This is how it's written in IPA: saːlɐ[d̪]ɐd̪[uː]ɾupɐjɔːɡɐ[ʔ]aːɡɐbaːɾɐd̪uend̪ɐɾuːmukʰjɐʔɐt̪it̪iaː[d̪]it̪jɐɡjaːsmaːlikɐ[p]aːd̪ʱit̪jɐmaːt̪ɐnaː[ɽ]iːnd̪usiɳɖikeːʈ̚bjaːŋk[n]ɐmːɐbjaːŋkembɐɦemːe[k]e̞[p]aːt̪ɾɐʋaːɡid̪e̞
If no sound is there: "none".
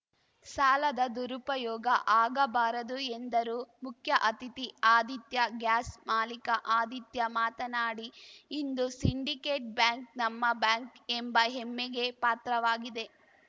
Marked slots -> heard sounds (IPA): d̪, u, ʔ, d̪, ʔ, ɽ, n, ɡ, p

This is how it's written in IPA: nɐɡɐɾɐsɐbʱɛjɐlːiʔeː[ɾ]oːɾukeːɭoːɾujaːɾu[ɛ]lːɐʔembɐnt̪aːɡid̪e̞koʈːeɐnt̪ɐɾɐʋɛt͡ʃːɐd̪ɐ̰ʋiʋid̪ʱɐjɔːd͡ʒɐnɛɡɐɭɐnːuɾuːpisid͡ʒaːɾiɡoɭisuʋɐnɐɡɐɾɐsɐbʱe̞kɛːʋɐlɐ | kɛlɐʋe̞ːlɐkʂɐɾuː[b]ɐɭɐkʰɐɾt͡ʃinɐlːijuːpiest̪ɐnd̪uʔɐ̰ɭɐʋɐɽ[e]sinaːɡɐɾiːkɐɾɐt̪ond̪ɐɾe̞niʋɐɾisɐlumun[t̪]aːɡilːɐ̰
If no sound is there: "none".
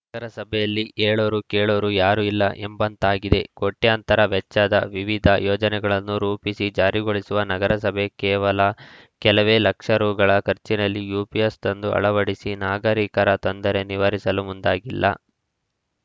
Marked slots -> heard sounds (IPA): ɭ, i, ɡ, i, d̪

